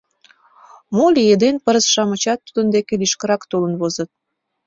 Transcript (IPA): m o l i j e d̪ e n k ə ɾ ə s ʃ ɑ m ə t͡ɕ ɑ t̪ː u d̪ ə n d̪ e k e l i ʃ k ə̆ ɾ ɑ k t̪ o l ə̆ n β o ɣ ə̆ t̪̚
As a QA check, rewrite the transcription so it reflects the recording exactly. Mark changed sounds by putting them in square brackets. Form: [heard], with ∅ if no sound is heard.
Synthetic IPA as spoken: m o l i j e d̪ e n [p] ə ɾ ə s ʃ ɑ m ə t͡ɕ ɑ t̪ː u d̪ ə n d̪ e k e l i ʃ k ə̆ ɾ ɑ k t̪ o l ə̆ n β o [z] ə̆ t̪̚